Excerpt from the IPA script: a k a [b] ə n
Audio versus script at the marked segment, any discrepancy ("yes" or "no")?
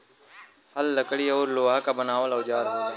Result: no